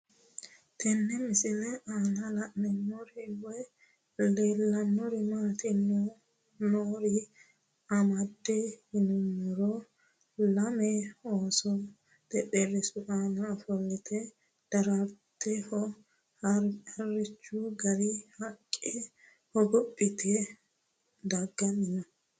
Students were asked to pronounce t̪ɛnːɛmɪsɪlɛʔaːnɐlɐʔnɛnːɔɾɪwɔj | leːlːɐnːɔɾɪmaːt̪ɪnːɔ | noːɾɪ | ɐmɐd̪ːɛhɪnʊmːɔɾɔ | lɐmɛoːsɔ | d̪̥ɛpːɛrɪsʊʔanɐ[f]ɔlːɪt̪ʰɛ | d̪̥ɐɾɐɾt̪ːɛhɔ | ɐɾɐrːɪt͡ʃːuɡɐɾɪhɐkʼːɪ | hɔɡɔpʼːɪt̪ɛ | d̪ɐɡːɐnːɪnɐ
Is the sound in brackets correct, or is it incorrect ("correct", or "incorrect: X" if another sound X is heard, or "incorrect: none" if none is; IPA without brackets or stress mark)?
correct